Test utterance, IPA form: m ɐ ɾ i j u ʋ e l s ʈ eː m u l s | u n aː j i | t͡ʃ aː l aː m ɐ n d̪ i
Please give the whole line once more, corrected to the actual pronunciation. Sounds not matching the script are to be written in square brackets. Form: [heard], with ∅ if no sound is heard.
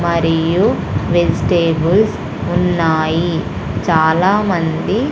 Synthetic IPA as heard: m ɐ ɾ i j u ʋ e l s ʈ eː [b] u l s | u [nː] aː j i | t͡ʃ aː l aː m ɐ n d̪ i